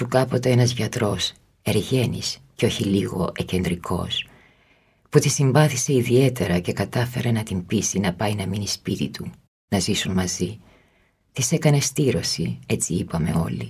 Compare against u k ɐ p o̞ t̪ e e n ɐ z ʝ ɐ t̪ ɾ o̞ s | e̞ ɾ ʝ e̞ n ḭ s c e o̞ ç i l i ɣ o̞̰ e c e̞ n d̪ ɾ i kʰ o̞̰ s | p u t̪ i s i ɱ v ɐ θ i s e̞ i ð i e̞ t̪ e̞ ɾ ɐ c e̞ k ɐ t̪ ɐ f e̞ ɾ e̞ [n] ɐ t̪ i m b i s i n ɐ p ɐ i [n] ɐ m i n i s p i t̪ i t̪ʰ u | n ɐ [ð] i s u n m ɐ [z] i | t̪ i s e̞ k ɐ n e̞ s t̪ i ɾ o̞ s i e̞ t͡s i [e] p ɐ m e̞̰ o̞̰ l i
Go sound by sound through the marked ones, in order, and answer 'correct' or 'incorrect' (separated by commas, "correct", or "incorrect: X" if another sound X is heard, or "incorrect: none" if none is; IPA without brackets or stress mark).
correct, correct, incorrect: z, correct, incorrect: i